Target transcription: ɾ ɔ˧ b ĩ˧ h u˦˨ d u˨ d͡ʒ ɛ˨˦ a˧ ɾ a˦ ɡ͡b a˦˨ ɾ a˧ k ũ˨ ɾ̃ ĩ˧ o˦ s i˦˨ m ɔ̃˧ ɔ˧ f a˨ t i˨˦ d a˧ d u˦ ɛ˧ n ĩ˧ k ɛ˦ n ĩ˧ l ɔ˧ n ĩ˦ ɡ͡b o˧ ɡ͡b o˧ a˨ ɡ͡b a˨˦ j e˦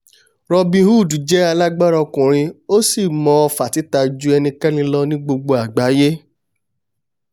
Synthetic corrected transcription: ɾ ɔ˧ b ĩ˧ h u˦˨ d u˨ d͡ʒ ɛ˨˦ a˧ l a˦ ɡ͡b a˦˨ ɾ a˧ k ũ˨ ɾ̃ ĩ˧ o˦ s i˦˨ m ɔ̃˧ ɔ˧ f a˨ t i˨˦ t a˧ d͡ʒ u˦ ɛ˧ n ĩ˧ k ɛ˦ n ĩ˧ l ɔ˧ n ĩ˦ ɡ͡b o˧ ɡ͡b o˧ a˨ ɡ͡b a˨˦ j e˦